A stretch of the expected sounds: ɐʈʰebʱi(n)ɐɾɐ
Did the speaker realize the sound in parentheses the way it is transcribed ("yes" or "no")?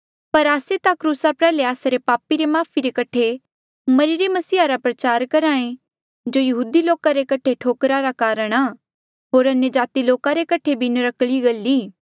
yes